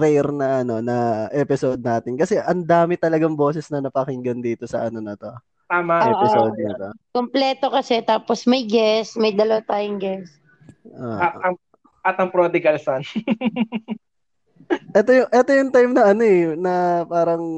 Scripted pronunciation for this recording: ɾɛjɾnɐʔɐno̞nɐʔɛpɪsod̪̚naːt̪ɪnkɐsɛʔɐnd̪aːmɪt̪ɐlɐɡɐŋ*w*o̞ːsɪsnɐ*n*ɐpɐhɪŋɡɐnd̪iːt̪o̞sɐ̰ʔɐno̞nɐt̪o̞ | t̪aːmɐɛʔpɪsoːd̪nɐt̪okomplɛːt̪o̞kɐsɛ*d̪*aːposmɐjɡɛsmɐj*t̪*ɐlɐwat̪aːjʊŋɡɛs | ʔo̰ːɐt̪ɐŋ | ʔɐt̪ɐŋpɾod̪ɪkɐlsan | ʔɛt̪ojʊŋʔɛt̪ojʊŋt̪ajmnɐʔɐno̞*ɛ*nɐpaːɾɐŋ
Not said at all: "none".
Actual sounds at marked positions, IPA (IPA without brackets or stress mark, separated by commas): b, n, t̪, d̪, ɛ